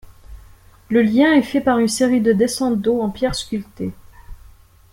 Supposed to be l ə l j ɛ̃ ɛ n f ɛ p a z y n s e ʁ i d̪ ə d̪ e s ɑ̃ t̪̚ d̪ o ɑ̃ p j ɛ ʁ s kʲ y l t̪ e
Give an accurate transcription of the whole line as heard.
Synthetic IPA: l ə l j ɛ̃ ɛ f ɛ p a ʁ y n s e ʁ i d̪ ə d̪ e s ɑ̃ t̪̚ d̪ o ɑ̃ p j ɛ ʁ s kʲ y l t̪ e

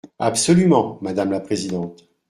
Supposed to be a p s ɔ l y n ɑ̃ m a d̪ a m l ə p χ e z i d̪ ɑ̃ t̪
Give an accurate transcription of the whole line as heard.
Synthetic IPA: a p s ɔ l y m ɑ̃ m a d̪ a m l a p χ e z i d̪ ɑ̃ t̪

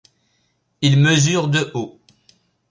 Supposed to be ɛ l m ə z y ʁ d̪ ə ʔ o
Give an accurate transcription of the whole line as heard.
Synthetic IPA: i l m ə z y ʁ d̪ ə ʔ o

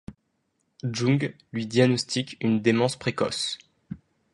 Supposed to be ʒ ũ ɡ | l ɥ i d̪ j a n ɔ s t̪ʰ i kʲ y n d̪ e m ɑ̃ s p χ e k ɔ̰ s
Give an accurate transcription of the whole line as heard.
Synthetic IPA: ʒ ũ ɡ | l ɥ i d̪ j a n ɔ s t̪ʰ i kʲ y n d̪ e m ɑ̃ s p χ e k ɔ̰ s

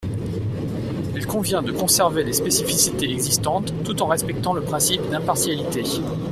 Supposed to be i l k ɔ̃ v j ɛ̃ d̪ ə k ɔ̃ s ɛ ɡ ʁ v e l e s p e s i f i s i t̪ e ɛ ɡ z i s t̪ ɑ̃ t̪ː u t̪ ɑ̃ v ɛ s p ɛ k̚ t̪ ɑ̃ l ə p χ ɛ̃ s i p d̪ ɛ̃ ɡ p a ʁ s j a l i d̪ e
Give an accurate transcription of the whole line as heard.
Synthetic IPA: i l k ɔ̃ v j ɛ̃ d̪ ə k ɔ̃ s ɛ ʁ v e l e s p e s i f i s i t̪ e ɛ ɡ z i s t̪ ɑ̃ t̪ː u t̪ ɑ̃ ʁ ɛ s p ɛ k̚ t̪ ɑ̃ l ə p χ ɛ̃ s i p d̪ ɛ̃ p a ʁ s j a l i t̪ e

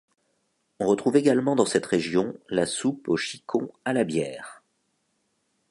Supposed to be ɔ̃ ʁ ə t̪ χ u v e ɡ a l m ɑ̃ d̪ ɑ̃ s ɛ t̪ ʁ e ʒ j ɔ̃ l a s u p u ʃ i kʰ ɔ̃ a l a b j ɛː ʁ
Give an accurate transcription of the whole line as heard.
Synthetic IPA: ɔ̃ ʁ ə t̪ χ u v e ɡ a l m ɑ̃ d̪ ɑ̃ s ɛ t̪ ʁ e ʒ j ɔ̃ l a s u p o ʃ i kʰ ɔ̃ a l a b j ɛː ʁ

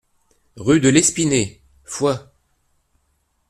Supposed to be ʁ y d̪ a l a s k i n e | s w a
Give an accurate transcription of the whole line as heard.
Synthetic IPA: ʁ y d̪ ə l ɛ s p i n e | f w a

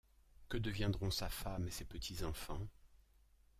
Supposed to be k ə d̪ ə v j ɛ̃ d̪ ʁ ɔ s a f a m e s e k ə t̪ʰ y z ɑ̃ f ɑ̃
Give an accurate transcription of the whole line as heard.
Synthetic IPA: k ə d̪ ə v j ɛ̃ d̪ ʁ ɔ̃ s a f a m e s e p ə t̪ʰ i z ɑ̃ f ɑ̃

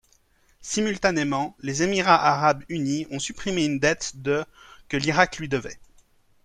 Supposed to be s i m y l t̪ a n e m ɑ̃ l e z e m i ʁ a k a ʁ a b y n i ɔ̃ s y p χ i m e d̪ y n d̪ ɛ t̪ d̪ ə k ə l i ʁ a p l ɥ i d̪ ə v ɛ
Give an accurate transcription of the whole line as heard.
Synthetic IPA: s i m y l t̪ a n e m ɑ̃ l e z e m i ʁ a ʔ a ʁ a b y n i ɔ̃ s y p χ i m e y n d̪ ɛ t̪ d̪ ə k ə l i ʁ a k l ɥ i d̪ ə v ɛ

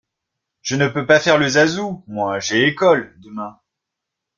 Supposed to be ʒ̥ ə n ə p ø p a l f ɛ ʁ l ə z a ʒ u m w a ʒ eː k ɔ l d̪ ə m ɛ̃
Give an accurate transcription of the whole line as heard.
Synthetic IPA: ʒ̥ ə n ə p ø p a f ɛ ʁ l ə z a z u m w a ʒ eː k ɔ l d̪ ə m ɛ̃

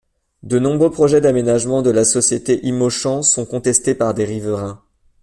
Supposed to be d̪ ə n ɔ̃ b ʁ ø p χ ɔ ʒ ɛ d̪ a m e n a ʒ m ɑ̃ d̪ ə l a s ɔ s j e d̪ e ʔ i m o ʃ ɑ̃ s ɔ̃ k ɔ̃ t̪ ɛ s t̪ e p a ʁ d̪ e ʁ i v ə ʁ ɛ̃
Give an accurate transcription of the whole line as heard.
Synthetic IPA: d̪ ə n ɔ̃ b ʁ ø p χ ɔ ʒ ɛ d̪ a m e n a ʒ m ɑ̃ d̪ ə l a s ɔ s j e t̪ e ʔ i m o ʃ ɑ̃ s ɔ̃ k ɔ̃ t̪ ɛ s t̪ e p a ʁ d̪ e ʁ i v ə ʁ ɛ̃

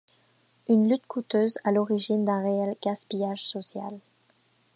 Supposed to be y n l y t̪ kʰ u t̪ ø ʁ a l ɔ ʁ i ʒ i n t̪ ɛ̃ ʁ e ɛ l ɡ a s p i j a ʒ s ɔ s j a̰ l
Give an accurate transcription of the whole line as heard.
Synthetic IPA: y n l y t̪ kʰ u t̪ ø z a l ɔ ʁ i ʒ i n d̪ ɛ̃ ʁ e ɛ l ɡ a s p i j a ʒ s ɔ s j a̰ l

